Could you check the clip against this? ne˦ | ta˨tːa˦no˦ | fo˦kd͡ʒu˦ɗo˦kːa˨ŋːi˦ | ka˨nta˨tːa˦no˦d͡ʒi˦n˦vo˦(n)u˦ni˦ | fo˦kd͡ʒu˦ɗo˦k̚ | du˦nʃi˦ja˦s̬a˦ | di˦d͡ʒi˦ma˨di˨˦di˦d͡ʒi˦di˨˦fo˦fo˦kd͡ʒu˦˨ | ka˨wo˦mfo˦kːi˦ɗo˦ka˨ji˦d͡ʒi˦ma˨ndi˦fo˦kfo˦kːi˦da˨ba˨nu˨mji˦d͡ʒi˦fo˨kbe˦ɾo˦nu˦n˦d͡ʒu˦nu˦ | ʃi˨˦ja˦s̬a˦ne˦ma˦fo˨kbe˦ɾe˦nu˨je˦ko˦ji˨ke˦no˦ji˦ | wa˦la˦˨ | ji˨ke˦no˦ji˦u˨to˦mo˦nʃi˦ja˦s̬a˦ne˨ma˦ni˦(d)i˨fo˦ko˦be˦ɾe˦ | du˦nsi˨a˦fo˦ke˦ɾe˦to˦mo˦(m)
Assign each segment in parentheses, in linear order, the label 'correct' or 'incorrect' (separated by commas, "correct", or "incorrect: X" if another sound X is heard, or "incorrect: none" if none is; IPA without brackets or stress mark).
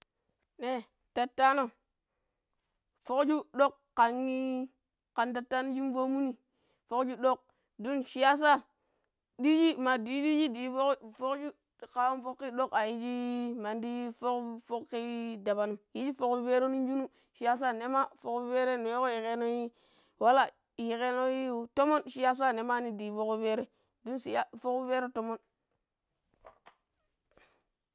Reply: incorrect: m, correct, incorrect: n